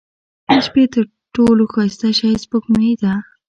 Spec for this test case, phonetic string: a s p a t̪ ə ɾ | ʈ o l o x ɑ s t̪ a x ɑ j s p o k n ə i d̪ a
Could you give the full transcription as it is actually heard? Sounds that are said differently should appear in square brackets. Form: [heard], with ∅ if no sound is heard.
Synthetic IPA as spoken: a [ʃ] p [e] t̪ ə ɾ | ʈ o l o x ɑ s t̪ a [ʃ] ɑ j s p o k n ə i d̪ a

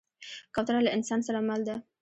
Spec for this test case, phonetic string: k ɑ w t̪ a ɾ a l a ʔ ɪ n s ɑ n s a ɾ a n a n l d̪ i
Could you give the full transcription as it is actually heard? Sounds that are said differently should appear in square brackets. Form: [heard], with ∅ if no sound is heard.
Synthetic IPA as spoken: k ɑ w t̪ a ɾ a l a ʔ ɪ n s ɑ n s a ɾ a [m] a [∅] l d̪ [a]

